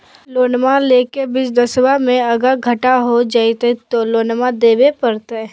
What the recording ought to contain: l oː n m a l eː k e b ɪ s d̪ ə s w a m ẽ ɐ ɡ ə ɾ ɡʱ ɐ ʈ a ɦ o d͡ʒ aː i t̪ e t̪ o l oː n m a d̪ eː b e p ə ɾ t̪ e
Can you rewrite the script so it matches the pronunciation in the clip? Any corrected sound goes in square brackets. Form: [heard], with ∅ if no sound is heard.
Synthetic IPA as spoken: l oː n m a l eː k e b ɪ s d̪ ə s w a m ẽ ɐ ɡ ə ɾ ɡʱ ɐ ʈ a ɦ o d͡ʒ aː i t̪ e t̪ o l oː n m a d̪ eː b e p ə ɾ t̪ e